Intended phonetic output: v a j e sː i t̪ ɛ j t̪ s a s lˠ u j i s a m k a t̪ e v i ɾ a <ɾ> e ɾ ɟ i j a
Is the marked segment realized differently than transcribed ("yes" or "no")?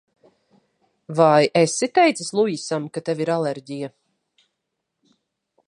yes